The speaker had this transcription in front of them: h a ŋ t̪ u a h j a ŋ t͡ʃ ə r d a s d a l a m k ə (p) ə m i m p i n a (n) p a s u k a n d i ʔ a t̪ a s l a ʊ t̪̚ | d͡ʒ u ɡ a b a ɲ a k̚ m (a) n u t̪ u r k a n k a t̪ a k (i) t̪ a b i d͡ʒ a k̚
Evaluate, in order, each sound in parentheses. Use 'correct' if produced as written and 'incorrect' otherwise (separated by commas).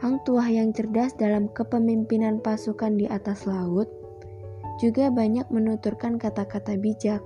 correct, correct, incorrect, incorrect